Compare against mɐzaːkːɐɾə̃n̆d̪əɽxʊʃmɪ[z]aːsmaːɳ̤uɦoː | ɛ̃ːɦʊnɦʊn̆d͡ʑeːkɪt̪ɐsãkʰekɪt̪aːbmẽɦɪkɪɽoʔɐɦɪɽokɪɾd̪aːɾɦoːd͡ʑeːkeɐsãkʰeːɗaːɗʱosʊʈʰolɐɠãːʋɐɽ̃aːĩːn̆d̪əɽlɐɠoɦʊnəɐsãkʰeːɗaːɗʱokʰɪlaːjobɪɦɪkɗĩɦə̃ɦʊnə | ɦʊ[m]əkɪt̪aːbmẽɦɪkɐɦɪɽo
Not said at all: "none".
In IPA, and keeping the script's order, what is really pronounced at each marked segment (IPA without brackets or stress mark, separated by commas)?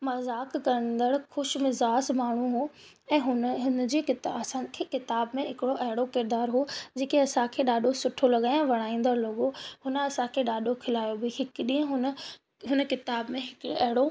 z, n